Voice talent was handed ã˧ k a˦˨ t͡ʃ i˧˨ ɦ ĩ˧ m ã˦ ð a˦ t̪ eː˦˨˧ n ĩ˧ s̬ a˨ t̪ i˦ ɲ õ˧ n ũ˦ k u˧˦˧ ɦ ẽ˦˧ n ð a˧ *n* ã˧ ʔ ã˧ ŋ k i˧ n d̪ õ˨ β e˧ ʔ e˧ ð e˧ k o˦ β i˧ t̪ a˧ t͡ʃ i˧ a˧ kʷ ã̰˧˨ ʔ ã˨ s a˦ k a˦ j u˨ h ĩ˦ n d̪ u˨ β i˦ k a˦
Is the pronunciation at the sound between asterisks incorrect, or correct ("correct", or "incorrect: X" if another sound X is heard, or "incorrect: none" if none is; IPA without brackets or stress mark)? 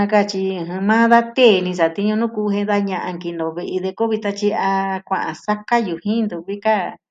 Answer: incorrect: ɲ